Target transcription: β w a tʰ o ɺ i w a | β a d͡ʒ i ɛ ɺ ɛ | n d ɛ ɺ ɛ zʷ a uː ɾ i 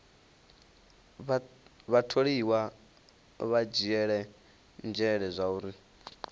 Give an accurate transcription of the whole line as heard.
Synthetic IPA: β β a tʰ o ɺ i w a | β a d͡ʒ i ɛ ɺ ɛ | n d͡ʒ ɛ ɺ ɛ zʷ a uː ɾ i